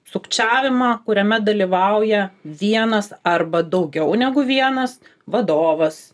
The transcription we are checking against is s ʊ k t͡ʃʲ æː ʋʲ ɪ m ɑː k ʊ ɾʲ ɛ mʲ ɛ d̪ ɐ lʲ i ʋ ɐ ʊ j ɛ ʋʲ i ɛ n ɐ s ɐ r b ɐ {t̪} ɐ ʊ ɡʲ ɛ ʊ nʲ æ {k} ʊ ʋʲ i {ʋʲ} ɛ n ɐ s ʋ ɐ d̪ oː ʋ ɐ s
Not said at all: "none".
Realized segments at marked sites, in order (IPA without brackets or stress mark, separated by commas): d̪, ɡ, none